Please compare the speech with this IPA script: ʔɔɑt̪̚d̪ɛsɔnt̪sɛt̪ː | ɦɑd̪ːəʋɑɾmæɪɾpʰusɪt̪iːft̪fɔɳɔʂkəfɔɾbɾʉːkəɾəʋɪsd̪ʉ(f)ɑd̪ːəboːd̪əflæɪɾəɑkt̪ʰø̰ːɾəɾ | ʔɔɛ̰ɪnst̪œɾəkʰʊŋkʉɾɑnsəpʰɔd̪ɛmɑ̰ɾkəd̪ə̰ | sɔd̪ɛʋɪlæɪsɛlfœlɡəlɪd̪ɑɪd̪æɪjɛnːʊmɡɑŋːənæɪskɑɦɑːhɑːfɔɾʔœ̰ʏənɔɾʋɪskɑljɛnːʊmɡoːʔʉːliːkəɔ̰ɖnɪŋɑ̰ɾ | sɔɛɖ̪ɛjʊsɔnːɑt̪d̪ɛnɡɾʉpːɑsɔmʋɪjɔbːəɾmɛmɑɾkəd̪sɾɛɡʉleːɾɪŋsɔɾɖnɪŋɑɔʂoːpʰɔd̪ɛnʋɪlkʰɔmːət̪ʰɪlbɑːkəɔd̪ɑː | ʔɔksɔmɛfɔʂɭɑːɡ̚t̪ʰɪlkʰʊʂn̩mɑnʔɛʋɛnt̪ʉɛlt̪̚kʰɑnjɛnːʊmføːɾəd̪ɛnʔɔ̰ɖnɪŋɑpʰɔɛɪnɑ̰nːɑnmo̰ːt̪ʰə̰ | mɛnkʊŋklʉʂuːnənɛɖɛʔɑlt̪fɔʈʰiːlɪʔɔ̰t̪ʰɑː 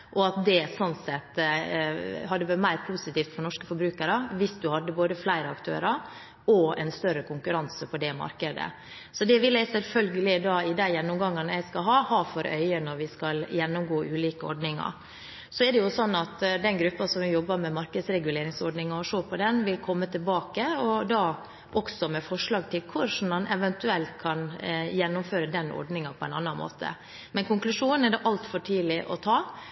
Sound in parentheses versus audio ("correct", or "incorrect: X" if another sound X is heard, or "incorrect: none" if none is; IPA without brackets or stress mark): incorrect: h